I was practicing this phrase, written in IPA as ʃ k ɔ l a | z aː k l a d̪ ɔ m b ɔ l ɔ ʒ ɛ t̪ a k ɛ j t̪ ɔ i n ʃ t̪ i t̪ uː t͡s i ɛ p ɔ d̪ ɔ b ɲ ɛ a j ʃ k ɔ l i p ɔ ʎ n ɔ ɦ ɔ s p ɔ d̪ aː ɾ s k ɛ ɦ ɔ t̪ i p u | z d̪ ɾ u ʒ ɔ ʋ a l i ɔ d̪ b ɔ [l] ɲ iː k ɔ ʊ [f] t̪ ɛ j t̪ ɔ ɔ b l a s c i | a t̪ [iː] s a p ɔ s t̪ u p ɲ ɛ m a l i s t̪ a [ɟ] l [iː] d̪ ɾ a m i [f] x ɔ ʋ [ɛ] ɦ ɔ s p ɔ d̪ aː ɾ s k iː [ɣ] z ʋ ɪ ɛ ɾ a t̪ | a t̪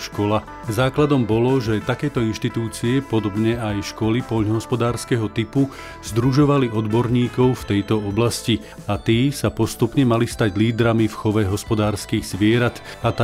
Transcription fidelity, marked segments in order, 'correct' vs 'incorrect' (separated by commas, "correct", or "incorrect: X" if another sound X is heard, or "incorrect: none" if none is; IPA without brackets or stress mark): incorrect: ɾ, correct, correct, correct, correct, correct, correct, correct